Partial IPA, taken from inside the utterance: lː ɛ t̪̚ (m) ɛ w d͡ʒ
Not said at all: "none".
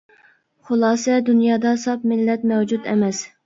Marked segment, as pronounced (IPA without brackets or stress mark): m